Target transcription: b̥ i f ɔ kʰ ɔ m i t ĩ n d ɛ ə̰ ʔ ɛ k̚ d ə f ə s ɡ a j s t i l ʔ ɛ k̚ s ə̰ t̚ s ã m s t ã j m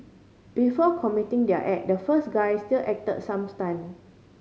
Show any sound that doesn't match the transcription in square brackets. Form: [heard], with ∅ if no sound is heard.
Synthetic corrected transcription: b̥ i f ɔ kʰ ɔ m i t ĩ [ŋ] d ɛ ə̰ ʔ ɛ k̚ d ə f ə s ɡ a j s t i l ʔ ɛ k̚ [t] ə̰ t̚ s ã m s t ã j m